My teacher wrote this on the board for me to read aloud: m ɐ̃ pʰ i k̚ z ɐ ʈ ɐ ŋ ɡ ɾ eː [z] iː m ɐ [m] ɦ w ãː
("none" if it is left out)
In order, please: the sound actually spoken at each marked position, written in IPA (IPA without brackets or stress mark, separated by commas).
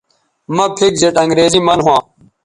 z, n